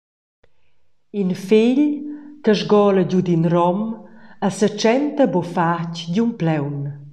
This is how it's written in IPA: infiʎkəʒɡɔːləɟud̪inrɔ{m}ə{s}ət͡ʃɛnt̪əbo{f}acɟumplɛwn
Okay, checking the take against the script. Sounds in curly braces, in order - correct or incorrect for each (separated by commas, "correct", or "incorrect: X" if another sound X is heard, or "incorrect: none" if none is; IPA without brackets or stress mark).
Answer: correct, correct, correct